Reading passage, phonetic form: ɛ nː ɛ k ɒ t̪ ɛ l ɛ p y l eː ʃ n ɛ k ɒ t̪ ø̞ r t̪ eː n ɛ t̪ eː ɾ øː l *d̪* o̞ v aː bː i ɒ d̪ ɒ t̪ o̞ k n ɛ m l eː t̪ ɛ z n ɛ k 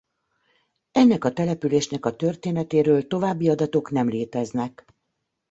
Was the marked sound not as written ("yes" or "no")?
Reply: yes